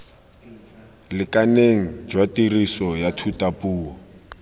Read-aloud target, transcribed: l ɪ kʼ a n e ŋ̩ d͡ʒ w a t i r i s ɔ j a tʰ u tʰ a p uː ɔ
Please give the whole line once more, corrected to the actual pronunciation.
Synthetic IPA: l ɪ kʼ a n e ŋ̩ d͡ʒ w a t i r i s ɔ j a tʰ u t a p uː ɔ